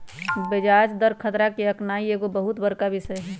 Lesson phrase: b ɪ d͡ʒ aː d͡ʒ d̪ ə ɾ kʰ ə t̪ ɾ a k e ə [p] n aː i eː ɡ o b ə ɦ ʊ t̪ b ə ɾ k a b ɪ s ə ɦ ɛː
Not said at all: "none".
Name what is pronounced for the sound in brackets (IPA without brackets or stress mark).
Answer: k